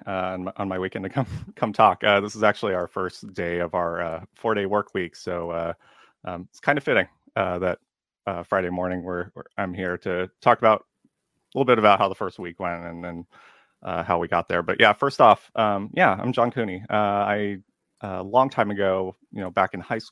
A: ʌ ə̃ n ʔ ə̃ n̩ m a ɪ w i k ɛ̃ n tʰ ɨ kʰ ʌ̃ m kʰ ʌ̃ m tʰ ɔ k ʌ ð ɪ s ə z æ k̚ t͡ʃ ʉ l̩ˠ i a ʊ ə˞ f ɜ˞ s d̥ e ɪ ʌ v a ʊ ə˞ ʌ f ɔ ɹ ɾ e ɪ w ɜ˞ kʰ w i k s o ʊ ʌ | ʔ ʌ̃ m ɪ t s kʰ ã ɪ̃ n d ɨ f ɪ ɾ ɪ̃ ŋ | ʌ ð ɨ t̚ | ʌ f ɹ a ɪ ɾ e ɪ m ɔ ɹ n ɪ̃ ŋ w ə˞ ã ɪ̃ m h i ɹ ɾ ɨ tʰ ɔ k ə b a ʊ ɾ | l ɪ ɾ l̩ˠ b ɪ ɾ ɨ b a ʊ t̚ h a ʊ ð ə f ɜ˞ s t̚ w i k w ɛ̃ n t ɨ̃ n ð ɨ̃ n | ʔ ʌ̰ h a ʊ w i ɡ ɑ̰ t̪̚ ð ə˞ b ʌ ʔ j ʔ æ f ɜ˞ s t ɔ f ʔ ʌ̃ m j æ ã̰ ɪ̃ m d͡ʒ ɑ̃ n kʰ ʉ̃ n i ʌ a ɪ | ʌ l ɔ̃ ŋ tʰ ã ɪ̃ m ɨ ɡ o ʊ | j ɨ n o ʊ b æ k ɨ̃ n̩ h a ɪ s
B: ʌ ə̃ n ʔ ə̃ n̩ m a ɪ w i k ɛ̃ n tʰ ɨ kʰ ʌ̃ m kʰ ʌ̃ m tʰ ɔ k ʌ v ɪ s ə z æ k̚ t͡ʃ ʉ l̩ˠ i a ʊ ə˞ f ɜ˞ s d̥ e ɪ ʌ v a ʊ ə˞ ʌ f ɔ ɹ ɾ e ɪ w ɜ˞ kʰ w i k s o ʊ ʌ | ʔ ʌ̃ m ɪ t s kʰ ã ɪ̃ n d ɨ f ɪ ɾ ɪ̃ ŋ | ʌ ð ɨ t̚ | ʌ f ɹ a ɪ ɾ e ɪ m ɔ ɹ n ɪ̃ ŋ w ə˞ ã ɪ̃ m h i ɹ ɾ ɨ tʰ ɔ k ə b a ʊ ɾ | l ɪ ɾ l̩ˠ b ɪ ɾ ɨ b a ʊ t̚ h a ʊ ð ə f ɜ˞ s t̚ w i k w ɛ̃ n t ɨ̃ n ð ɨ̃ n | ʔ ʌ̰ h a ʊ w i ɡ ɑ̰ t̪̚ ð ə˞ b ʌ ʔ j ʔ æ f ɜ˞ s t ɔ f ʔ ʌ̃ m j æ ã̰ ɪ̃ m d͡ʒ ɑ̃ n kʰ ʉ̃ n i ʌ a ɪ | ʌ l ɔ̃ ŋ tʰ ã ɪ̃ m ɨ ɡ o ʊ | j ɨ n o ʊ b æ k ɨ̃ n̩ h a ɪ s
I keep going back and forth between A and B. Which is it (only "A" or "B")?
A